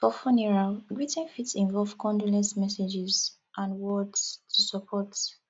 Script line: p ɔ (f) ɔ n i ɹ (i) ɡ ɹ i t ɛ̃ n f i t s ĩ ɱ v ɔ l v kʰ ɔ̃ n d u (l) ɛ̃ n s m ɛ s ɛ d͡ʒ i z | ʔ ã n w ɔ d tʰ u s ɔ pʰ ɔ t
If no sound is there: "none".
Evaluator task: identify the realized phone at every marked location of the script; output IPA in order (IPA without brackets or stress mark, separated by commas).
f, a, l